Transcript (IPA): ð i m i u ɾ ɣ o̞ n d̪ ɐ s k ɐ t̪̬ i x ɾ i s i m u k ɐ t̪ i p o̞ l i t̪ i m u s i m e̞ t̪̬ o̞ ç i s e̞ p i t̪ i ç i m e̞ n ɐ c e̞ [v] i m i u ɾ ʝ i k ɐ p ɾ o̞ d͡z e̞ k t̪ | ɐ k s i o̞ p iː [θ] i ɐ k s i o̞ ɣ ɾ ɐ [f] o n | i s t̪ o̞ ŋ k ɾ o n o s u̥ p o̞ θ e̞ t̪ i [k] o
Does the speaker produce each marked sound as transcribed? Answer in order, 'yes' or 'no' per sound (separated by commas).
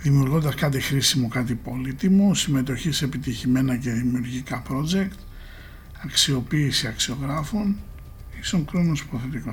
no, no, yes, yes